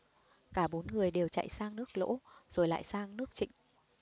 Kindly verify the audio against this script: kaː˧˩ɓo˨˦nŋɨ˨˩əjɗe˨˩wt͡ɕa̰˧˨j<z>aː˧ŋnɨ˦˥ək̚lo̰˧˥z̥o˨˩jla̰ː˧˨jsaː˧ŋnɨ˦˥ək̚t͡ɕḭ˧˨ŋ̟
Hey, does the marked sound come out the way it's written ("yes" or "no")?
no